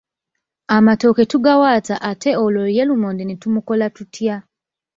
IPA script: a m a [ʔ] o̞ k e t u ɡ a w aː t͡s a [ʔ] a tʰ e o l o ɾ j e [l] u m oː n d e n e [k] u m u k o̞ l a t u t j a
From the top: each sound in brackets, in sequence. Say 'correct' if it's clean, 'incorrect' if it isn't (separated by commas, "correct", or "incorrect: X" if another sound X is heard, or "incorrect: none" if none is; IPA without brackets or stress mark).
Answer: incorrect: t, correct, correct, incorrect: t